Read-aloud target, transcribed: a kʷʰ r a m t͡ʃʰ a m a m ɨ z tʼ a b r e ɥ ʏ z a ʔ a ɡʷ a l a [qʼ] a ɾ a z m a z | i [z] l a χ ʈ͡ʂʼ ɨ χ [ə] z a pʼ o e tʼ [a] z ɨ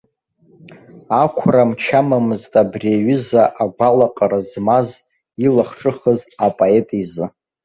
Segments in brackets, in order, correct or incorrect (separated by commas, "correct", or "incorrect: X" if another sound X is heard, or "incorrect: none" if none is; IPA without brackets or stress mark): correct, incorrect: none, correct, incorrect: i